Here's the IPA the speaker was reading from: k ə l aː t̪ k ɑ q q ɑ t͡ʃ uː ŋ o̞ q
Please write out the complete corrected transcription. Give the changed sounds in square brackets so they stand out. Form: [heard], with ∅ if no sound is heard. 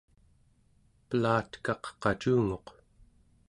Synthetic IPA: [p] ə l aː t̪ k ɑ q q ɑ t͡ʃ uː ŋ o̞ q